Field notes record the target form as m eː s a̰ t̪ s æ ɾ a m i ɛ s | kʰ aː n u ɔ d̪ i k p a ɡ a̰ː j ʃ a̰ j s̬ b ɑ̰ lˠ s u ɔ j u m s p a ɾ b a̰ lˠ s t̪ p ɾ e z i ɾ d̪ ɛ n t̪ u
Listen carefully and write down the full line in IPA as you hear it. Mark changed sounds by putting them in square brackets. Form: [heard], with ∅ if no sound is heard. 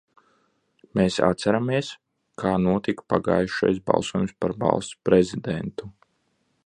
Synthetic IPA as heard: m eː s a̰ t̪ s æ ɾ a m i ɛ s | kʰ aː n u ɔ [t̪] i k p a ɡ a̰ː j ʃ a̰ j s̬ b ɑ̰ lˠ s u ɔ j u m s p a ɾ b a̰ lˠ s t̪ p ɾ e z i [∅] d̪ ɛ n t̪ u